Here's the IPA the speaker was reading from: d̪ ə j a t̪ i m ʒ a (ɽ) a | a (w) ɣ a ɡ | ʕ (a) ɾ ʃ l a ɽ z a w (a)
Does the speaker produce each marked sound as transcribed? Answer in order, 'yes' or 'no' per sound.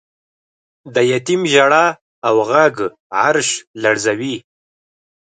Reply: yes, yes, yes, no

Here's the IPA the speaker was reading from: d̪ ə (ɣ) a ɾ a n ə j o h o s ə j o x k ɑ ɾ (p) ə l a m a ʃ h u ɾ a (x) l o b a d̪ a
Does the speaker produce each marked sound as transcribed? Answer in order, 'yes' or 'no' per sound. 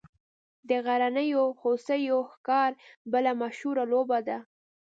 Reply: yes, no, no

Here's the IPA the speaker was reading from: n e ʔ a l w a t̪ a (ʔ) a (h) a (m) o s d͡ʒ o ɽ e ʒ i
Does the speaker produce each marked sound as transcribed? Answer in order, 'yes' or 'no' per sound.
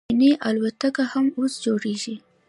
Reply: no, yes, yes

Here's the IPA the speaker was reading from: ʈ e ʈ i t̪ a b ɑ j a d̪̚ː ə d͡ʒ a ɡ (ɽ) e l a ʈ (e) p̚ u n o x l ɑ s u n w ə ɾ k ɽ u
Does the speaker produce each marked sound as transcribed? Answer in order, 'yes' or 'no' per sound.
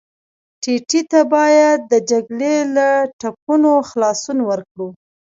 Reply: no, no

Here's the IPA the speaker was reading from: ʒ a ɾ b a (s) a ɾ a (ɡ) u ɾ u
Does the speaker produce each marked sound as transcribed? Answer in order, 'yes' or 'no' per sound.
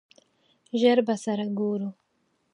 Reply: yes, yes

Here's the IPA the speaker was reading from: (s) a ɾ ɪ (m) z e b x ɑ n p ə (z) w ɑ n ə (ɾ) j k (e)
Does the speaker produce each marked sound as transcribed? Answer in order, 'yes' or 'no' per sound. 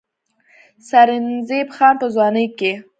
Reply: yes, no, yes, no, yes

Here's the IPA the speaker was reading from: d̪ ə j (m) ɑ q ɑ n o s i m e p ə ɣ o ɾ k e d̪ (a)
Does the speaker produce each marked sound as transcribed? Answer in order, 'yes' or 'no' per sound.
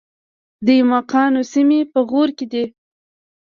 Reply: yes, no

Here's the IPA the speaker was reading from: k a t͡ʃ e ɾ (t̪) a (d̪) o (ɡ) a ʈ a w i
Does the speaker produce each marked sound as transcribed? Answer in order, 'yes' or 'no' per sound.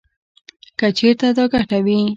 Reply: yes, yes, yes

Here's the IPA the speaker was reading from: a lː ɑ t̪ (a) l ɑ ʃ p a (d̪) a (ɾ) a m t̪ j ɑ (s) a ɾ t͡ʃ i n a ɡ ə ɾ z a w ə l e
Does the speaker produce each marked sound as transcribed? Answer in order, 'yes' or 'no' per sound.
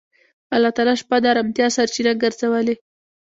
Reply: no, yes, yes, yes

